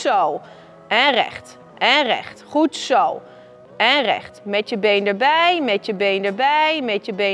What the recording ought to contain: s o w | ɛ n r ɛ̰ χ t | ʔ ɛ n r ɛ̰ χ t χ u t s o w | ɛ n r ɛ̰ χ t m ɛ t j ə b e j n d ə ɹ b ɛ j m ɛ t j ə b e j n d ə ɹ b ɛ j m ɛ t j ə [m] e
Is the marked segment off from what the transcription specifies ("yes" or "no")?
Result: yes